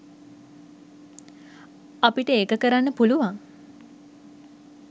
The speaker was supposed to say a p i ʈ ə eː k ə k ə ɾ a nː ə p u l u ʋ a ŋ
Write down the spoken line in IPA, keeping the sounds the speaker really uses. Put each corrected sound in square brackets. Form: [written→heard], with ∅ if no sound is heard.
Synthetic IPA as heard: a p i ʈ ə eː k ə k ə ɾ a nː ə p u l u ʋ a ŋ